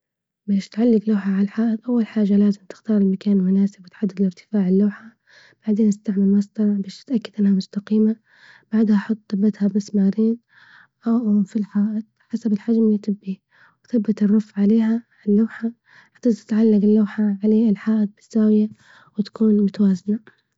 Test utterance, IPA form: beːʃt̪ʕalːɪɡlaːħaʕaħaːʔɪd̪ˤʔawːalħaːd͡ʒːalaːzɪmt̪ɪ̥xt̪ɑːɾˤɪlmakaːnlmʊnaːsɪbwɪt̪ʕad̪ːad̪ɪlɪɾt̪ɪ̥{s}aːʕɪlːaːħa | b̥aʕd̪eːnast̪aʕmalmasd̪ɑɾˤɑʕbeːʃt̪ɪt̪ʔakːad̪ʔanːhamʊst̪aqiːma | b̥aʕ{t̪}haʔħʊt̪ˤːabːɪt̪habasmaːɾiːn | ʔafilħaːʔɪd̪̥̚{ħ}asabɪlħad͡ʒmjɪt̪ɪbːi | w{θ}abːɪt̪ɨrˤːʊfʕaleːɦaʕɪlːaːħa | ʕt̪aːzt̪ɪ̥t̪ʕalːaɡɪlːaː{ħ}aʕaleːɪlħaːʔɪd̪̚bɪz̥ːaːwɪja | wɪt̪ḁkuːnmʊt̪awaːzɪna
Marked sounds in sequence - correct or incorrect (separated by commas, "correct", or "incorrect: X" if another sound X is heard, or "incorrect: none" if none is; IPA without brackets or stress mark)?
incorrect: f, incorrect: d̪, correct, correct, correct